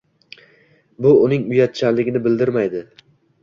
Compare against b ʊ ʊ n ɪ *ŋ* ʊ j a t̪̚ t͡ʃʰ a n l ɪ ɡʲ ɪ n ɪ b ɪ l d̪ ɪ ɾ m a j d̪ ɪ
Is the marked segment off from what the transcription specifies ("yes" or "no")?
no